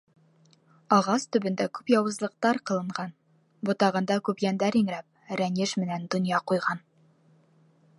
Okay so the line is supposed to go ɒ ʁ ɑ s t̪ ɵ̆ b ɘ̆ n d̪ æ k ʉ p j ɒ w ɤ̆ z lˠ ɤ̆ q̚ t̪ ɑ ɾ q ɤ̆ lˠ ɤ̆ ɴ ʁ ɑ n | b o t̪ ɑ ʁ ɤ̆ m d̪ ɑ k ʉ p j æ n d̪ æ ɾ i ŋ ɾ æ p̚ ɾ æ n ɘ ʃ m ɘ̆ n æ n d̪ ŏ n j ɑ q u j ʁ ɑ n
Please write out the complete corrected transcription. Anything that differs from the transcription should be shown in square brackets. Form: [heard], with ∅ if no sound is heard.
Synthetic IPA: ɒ ʁ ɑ s t̪ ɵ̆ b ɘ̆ n d̪ æ k ʉ p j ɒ w ɤ̆ z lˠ ɤ̆ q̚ t̪ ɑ ɾ q ɤ̆ lˠ ɤ̆ ɴ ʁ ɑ n | b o t̪ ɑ ʁ ɤ̆ [n] d̪ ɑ k ʉ p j æ n d̪ æ ɾ i ŋ ɾ æ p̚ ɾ æ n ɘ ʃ m ɘ̆ n æ n d̪ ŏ n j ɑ q u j ʁ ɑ n